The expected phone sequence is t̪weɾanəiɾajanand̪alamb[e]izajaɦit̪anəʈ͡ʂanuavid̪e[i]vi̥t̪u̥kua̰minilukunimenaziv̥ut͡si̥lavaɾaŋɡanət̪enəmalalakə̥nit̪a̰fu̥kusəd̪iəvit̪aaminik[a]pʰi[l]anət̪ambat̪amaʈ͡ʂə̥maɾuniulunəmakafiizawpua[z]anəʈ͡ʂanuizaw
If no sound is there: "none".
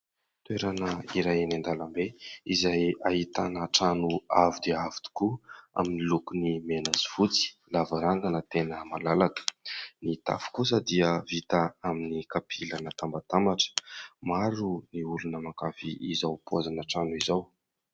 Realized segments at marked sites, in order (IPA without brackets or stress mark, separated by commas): e, a, a, l, z